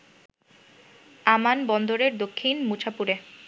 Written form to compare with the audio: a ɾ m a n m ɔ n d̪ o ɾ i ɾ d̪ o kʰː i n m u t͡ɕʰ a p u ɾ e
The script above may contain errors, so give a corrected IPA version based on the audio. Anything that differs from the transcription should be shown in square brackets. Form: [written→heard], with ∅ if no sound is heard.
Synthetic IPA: a [ɾ→∅] m a n [m→b] ɔ n d̪ o ɾ [i→e] ɾ d̪ o kʰː i n m u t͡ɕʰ a p u ɾ e